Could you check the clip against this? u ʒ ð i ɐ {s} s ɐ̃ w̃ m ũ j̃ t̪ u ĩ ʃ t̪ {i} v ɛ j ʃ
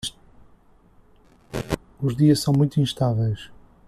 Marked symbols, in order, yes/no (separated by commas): no, no